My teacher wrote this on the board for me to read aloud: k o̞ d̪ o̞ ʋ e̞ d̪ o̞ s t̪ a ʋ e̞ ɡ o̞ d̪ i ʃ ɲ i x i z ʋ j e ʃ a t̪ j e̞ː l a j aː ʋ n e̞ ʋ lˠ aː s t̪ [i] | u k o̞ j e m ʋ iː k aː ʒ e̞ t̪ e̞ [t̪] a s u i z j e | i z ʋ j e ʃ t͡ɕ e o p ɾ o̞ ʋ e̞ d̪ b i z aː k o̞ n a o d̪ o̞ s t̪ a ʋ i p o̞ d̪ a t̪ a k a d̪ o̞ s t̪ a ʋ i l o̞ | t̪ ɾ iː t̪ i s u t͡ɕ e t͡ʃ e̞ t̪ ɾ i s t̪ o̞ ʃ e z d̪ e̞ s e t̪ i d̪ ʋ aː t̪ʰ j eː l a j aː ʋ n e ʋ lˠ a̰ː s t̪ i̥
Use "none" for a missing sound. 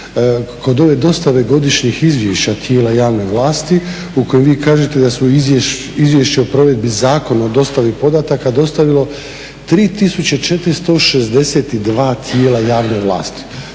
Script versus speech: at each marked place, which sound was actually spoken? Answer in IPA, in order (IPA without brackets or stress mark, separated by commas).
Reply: i, d̪